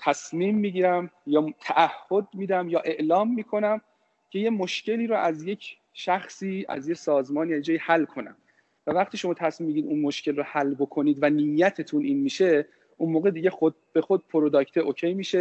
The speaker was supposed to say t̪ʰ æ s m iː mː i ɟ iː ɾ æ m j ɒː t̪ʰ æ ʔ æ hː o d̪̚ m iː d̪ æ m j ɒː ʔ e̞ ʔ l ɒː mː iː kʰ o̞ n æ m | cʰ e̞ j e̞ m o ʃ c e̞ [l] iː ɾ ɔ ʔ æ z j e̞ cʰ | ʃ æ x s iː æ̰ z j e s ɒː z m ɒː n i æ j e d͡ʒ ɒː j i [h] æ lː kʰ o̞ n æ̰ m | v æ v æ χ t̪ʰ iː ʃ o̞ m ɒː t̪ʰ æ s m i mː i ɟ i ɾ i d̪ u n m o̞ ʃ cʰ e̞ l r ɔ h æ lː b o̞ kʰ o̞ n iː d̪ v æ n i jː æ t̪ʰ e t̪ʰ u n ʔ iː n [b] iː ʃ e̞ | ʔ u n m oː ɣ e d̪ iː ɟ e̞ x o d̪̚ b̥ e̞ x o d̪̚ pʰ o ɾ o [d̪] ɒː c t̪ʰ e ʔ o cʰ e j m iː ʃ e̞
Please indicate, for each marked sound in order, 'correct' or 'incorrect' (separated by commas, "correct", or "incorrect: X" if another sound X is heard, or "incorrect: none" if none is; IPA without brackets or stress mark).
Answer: correct, correct, incorrect: m, correct